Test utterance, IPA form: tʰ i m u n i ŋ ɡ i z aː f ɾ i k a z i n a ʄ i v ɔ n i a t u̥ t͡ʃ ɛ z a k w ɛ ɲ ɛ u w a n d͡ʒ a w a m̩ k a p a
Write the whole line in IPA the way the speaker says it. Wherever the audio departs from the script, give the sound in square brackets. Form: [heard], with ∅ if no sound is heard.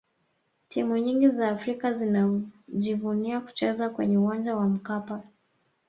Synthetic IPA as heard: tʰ i m u [ɲ] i ŋ ɡ i z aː f ɾ i k a z i n a ʄ i v [u] n i a [k] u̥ t͡ʃ ɛ z a k w ɛ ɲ ɛ u w a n d͡ʒ a w a m̩ k a p a